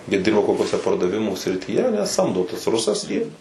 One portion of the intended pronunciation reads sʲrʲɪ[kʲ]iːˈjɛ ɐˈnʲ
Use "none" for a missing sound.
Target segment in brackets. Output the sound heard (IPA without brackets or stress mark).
tʲ